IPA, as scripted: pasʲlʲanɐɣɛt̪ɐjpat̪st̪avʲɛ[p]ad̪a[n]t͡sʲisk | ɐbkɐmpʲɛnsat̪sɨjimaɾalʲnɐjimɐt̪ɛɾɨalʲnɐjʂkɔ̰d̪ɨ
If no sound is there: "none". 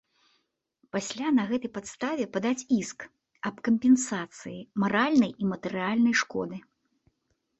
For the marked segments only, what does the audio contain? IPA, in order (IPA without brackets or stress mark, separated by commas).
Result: p, none